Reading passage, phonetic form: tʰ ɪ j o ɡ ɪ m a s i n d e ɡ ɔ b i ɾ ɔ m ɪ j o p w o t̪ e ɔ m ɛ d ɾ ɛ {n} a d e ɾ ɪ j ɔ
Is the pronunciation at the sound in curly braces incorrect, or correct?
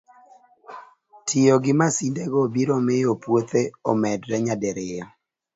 incorrect